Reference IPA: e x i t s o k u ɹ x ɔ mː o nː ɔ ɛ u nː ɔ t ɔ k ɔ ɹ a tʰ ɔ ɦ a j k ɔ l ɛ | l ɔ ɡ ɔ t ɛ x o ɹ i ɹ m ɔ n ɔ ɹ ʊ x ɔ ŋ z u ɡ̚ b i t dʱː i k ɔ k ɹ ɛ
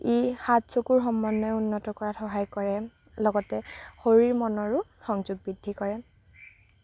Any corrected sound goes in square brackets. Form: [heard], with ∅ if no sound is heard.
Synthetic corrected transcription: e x [a] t s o k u ɹ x ɔ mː [ɔ] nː ɔ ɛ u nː ɔ t ɔ k ɔ ɹ a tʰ ɔ ɦ a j k ɔ [ɹ] ɛ | l ɔ ɡ ɔ t ɛ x o ɹ i ɹ m ɔ n ɔ ɹ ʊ x ɔ ŋ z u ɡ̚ b i [∅] dʱː i k ɔ [∅] ɹ ɛ